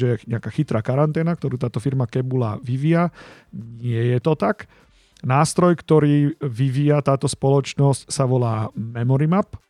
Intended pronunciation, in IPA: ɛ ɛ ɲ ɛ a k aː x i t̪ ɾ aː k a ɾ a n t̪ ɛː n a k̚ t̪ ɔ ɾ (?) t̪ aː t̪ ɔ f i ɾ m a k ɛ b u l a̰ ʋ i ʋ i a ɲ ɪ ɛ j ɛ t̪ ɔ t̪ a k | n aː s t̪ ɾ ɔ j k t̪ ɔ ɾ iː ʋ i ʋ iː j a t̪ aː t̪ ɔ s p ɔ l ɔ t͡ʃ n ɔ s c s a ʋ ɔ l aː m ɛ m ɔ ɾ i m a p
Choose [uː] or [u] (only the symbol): uː